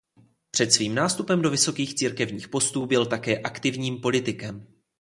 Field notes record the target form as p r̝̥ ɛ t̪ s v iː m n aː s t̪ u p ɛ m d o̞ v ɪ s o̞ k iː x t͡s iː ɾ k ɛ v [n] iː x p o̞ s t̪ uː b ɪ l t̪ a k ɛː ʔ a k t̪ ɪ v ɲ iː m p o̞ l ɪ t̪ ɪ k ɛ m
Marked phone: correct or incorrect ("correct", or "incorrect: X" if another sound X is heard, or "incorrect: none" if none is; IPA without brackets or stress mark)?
incorrect: ɲ